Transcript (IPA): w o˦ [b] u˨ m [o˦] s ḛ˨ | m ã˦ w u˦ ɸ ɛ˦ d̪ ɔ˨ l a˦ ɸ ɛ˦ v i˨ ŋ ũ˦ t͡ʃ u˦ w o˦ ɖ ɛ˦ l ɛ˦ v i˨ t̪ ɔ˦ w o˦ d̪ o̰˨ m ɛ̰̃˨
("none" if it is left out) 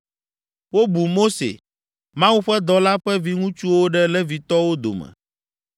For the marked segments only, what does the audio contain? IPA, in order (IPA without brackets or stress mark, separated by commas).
b, o˦